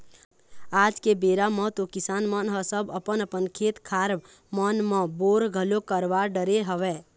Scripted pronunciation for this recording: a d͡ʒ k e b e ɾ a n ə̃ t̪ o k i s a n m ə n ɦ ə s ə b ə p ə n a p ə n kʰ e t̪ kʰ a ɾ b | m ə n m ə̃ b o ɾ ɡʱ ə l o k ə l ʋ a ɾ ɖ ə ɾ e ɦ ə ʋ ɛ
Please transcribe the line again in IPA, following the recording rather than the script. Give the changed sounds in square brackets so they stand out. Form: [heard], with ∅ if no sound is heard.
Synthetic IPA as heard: a d͡ʒ k e b e ɾ a [m] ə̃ t̪ o k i s a n m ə n ɦ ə s ə b ə p ə n [ə] p ə n kʰ e t̪ kʰ a ɾ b | m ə n m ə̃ b o ɾ ɡʱ ə l o k ə [ɾ] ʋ a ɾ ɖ ə ɾ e ɦ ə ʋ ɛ